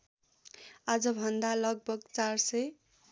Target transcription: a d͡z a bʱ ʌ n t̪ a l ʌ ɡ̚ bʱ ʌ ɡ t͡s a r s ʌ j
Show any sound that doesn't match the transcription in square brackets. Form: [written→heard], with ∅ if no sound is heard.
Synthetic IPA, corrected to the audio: a d͡z [a→ʌ] bʱ ʌ n [t̪→d̪] a l ʌ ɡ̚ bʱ ʌ ɡ t͡s a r s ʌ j

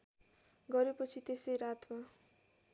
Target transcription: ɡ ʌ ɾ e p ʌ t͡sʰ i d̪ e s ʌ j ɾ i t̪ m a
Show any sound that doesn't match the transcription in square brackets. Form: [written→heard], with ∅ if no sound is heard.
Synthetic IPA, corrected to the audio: ɡ ʌ ɾ e p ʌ t͡sʰ i [d̪→t̪] e s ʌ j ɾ [i→a] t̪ m a

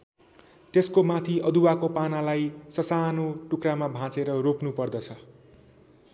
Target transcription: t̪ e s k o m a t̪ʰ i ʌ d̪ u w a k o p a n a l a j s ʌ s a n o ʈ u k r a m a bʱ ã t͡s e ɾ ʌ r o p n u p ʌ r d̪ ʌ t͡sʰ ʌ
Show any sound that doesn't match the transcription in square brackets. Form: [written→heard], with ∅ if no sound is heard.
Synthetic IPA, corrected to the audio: t̪ e s k o m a t̪ʰ i ʌ d̪ u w a k o p a n a l a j s ʌ s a n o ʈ u k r a m a bʱ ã t͡s e ɾ ʌ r o p n u p ʌ r d̪ ʌ t͡sʰ ʌ

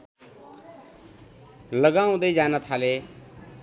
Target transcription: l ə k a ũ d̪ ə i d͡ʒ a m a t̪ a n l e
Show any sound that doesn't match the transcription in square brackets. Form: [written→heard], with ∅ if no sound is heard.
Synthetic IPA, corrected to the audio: l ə [k→ɡ] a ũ d̪ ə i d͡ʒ a [m→n] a [t̪→t̪ʰ] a [n→∅] l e

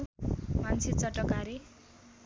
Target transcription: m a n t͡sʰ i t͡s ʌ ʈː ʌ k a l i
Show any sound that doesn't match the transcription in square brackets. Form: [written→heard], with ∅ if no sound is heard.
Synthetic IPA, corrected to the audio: m a n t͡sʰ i t͡s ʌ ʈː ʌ k a [l→ɾ] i

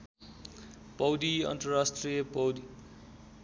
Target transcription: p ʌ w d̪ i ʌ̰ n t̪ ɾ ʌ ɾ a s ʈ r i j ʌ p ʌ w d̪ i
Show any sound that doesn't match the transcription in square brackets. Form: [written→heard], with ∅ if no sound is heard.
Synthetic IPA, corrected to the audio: p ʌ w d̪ i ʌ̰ n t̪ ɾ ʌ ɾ a s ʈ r i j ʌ p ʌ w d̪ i

